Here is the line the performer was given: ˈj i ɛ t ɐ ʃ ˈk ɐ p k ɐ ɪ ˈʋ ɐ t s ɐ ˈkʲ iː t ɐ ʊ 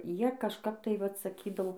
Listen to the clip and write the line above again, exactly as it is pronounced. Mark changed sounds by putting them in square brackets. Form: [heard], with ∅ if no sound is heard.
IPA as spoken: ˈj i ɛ [k] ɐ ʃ ˈk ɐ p [t] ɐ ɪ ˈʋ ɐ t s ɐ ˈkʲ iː [d] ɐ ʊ